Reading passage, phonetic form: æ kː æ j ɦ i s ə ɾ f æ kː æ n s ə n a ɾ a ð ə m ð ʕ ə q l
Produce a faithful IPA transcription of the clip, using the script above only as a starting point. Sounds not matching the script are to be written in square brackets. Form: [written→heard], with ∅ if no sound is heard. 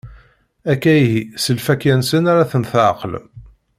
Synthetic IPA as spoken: æ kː æ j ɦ i s ə [ɾ→l] f æ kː æ n s ə n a ɾ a [ð→θ] ə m [ð→θ] ʕ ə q l